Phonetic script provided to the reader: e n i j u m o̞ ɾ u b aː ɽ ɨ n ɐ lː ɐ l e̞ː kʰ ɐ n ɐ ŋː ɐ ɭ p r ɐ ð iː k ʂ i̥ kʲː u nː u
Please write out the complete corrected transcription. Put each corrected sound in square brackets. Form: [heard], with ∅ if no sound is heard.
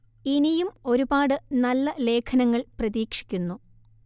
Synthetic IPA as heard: [i] n i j u m o̞ ɾ u b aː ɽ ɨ n ɐ lː ɐ l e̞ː kʰ ɐ n ɐ ŋː ɐ ɭ p r ɐ ð iː k ʂ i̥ kʲː u nː u